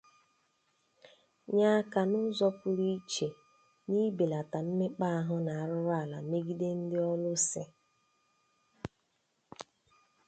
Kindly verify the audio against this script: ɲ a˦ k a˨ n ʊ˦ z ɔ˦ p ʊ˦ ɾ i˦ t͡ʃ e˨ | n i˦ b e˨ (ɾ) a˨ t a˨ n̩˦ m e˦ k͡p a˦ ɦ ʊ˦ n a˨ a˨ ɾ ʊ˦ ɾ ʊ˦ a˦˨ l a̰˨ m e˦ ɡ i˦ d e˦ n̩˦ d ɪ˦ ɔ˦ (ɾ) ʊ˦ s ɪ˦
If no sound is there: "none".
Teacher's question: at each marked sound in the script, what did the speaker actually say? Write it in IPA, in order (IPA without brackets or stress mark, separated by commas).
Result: l, l